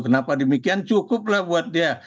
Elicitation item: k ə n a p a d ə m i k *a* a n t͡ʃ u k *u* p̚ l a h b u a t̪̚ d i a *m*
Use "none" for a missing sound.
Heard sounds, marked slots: i, ʊ, none

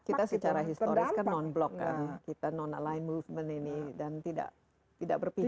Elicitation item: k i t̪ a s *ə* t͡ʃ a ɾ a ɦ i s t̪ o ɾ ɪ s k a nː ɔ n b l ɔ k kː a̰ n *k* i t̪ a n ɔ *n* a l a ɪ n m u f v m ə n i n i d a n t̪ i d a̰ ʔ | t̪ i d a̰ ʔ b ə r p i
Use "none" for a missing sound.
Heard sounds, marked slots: ə, k, n

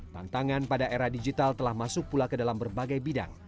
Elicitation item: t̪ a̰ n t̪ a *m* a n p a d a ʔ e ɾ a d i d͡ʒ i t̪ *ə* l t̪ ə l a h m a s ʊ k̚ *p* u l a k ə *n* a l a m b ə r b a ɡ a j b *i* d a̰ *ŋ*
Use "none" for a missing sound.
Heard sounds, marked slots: ŋ, a, p, d, i, ŋ

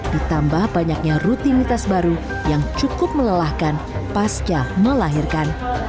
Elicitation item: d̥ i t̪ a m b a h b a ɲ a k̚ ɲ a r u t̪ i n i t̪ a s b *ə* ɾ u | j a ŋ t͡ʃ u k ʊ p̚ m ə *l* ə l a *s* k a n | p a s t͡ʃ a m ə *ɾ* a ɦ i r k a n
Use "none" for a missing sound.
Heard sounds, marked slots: a, l, h, l

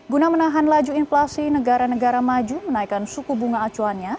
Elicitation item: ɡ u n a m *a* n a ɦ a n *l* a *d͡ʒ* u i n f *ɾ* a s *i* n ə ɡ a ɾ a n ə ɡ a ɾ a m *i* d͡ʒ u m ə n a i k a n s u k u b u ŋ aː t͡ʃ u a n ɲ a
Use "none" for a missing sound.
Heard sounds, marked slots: ə, l, d͡ʒ, l, i, a

